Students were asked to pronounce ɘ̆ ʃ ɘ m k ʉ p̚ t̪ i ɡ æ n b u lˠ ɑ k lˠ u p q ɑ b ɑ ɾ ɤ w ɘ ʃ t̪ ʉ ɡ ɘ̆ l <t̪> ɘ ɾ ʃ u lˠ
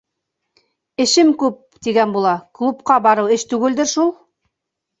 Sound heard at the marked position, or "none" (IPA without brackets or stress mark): d̪